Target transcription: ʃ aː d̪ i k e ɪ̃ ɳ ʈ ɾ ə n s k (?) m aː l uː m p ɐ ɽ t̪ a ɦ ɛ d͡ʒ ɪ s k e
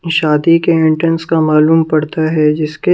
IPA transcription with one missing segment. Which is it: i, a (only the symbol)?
a